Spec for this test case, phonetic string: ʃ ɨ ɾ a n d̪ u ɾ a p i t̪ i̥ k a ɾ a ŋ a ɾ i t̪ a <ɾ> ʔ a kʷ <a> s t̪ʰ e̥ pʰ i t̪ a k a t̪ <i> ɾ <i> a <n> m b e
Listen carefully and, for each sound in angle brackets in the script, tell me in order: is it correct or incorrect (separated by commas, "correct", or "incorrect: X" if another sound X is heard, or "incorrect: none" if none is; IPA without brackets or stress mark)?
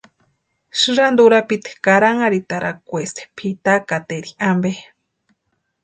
correct, incorrect: e, incorrect: e, correct, incorrect: none